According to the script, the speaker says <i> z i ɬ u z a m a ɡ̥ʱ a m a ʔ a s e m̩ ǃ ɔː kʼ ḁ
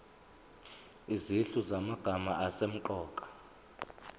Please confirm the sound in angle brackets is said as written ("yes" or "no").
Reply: yes